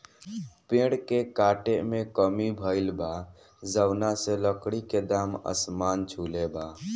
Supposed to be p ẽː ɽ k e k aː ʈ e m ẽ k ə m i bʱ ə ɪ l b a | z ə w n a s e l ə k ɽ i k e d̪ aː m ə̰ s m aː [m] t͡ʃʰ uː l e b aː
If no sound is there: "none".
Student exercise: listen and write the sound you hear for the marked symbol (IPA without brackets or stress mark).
n